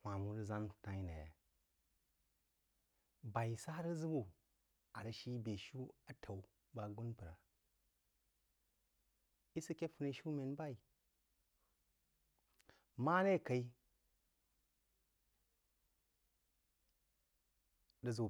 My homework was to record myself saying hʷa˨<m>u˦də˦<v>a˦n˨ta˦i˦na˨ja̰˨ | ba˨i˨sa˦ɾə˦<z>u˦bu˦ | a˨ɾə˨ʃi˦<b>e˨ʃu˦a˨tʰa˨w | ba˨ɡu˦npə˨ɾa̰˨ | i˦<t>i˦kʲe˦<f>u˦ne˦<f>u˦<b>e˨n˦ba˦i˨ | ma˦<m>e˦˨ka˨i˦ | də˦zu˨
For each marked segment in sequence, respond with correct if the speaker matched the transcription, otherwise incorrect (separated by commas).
correct, incorrect, correct, correct, incorrect, correct, incorrect, incorrect, incorrect